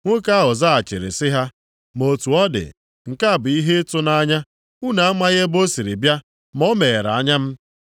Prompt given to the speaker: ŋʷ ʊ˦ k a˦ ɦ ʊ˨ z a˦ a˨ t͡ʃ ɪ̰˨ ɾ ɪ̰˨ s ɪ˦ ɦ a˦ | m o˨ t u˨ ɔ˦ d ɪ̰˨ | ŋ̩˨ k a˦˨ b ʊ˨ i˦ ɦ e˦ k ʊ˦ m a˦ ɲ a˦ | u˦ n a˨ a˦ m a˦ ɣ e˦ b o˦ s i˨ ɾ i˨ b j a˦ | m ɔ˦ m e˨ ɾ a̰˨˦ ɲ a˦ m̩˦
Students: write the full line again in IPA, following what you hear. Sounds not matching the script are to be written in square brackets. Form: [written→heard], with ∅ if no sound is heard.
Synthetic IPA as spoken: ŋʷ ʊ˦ k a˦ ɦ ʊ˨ z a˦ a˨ t͡ʃ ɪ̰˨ ɾ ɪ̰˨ s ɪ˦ ɦ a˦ | m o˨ t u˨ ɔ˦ d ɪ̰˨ | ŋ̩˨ k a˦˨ b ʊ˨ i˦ ɦ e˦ [k→t] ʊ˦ [m→n] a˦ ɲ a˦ | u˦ n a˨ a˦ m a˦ ɣ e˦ b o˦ s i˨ ɾ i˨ b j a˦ | m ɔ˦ m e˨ ɾ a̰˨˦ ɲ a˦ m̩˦